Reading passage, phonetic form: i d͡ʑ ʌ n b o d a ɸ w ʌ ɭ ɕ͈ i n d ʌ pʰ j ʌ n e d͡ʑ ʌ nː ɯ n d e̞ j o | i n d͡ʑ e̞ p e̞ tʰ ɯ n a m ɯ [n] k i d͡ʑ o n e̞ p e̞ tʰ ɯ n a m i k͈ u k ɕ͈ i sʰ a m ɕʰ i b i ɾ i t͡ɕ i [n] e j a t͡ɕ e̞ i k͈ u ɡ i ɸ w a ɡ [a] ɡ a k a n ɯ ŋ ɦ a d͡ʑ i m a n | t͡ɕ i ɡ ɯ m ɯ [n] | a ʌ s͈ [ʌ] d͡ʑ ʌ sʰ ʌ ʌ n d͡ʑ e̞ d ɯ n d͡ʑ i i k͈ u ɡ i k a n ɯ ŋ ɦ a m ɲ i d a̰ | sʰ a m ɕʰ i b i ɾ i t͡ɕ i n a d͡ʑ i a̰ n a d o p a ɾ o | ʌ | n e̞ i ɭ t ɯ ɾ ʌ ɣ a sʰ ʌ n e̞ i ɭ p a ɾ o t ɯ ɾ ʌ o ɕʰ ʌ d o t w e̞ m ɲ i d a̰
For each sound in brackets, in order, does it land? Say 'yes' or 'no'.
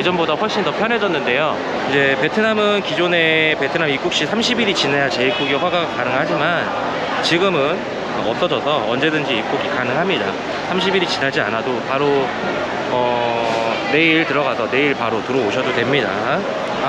yes, yes, yes, yes, yes

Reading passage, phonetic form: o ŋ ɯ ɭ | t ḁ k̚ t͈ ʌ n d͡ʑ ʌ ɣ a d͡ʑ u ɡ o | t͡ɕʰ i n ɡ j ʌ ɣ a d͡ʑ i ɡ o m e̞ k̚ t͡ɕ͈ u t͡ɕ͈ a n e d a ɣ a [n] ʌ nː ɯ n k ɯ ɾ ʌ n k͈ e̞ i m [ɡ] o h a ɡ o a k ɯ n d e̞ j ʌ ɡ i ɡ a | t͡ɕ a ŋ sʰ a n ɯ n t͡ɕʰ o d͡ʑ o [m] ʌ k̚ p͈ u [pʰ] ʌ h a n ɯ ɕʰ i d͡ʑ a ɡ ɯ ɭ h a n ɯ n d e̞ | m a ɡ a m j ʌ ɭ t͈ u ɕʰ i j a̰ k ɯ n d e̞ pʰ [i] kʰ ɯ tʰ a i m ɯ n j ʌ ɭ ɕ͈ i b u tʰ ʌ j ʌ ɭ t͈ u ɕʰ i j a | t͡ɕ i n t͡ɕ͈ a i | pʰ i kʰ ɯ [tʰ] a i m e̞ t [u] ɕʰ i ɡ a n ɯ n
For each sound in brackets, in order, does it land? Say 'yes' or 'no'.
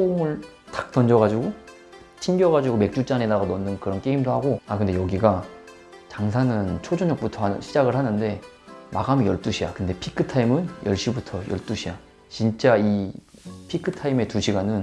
yes, no, no, no, yes, yes, yes

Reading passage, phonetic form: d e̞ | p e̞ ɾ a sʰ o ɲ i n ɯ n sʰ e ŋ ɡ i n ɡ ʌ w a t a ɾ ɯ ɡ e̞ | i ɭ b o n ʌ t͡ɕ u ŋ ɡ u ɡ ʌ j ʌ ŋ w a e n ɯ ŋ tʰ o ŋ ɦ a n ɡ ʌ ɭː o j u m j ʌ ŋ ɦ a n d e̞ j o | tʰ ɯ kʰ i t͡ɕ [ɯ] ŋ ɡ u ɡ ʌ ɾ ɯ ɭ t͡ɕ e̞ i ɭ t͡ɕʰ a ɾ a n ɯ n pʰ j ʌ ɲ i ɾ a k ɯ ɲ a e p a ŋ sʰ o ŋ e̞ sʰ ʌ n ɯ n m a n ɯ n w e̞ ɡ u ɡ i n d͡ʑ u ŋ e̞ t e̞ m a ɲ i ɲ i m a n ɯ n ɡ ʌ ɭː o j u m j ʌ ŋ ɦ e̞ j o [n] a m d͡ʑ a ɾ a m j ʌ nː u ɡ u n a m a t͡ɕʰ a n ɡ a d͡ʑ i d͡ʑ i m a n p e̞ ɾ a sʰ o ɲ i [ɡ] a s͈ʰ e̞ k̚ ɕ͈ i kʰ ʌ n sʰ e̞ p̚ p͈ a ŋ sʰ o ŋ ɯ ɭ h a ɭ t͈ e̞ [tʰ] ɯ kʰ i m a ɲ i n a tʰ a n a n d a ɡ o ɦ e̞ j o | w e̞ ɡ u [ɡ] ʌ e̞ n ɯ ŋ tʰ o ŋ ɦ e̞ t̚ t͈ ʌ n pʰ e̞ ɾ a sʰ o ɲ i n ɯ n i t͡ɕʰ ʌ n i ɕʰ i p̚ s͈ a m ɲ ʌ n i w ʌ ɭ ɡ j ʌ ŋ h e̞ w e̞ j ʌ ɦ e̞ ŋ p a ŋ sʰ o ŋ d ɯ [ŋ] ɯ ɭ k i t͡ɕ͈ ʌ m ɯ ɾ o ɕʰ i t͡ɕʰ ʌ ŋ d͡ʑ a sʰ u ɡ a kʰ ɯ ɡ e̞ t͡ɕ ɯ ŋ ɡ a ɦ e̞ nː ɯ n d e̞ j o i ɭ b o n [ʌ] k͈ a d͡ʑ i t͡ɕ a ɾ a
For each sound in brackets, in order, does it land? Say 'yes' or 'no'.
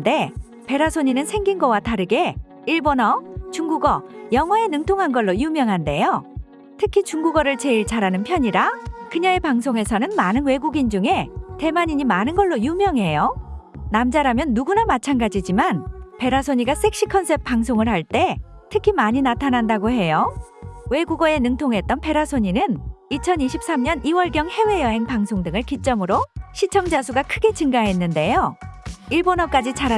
no, yes, yes, yes, yes, yes, yes

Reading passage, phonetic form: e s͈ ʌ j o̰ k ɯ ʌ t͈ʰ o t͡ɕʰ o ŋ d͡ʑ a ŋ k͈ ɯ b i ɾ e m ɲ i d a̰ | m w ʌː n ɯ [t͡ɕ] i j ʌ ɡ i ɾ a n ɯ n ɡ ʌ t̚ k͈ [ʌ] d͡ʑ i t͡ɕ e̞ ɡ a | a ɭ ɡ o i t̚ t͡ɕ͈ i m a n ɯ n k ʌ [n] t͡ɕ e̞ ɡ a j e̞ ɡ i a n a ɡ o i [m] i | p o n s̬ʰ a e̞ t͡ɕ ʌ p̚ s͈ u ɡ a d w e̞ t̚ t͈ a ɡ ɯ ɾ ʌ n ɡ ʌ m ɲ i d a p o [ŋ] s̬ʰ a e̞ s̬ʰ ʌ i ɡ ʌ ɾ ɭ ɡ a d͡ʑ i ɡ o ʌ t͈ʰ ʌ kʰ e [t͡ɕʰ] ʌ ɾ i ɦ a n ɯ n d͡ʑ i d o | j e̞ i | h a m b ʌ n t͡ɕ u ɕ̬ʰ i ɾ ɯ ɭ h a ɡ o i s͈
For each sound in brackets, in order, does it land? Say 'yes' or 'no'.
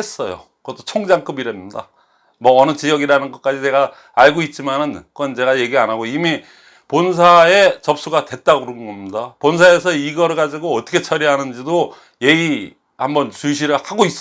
yes, no, yes, yes, no, yes

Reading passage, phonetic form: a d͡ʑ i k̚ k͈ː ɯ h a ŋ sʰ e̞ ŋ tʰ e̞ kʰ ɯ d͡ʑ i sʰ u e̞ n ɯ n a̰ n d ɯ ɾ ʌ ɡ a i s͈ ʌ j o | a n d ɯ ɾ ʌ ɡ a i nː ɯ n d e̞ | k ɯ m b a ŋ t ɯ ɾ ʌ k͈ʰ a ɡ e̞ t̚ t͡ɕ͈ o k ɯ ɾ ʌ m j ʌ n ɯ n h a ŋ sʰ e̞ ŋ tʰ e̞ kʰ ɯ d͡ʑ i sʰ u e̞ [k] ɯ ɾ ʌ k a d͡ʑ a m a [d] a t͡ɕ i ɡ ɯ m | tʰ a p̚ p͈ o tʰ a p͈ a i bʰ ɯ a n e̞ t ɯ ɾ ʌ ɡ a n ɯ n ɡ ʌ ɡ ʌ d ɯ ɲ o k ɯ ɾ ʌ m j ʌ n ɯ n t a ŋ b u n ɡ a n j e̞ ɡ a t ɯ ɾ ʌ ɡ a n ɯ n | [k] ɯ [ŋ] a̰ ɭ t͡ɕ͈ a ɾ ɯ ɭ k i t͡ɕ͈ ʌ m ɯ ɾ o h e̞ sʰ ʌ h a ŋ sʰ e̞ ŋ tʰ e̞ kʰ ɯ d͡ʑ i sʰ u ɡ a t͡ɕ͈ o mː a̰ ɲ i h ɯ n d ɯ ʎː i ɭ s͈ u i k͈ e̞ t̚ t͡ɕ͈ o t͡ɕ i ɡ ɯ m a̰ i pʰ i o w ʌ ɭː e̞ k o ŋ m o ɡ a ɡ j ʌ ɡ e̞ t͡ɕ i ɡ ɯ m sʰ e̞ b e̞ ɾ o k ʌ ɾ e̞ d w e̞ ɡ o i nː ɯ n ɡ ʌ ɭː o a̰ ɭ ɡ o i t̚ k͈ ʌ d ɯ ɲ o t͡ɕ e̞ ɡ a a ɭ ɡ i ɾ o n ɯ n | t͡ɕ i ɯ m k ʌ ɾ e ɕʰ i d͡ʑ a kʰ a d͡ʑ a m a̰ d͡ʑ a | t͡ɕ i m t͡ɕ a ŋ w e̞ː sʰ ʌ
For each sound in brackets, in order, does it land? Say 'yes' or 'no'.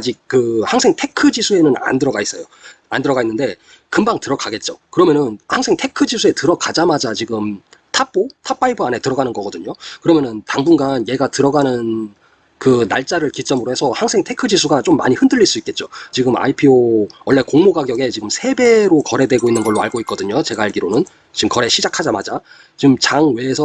no, no, yes, no

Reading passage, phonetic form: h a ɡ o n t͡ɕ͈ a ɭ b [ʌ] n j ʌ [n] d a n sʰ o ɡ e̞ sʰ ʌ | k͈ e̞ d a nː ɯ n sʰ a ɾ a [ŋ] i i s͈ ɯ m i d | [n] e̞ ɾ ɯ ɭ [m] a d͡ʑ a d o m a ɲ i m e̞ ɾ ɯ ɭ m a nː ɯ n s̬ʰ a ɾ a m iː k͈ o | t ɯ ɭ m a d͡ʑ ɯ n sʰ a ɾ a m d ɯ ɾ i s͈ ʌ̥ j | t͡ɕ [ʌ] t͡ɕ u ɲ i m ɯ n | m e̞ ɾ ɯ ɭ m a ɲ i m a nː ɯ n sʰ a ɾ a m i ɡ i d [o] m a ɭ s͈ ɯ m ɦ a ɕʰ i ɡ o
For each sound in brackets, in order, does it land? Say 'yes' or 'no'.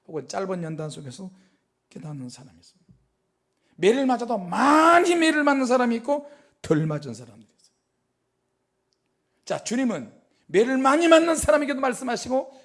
yes, yes, no, no, yes, no, yes

